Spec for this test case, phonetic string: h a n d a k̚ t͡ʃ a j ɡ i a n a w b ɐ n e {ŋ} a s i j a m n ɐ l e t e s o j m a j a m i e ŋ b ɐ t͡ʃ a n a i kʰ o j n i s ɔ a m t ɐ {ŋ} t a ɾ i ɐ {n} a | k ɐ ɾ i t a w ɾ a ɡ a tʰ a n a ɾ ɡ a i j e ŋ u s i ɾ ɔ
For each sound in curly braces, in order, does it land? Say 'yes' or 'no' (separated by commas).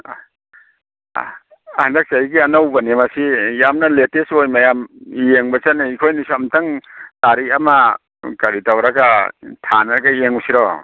no, yes, no